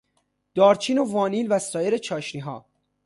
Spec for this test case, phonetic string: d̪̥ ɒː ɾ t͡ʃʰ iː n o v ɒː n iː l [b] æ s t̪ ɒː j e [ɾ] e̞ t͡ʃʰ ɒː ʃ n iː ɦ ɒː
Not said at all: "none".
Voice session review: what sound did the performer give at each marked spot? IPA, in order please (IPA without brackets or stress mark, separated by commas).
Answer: v, ɾ